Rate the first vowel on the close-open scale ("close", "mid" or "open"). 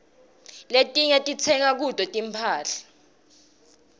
mid